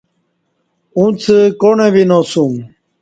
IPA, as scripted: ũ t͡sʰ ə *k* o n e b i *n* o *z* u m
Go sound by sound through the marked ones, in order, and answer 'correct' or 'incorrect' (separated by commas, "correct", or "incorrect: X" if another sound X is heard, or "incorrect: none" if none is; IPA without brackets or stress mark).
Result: correct, correct, incorrect: s